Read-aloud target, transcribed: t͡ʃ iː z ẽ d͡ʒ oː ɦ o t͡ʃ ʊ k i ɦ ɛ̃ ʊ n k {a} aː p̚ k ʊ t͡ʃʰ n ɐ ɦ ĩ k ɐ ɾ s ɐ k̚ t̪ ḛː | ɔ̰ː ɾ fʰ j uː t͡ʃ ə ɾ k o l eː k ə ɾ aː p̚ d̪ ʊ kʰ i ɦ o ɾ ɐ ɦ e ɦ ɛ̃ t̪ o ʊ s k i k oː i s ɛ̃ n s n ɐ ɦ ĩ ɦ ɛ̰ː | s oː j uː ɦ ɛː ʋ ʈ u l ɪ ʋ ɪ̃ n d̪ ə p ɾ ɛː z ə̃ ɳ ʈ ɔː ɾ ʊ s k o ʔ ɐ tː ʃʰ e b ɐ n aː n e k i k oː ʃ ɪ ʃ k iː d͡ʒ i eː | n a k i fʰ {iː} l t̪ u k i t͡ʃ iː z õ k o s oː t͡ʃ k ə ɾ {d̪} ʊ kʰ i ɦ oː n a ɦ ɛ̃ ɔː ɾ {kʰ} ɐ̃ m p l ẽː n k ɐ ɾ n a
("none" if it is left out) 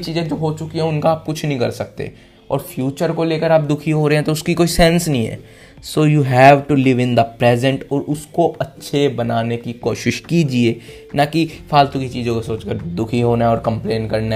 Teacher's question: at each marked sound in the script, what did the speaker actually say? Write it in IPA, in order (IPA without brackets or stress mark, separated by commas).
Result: a, aː, d̪, k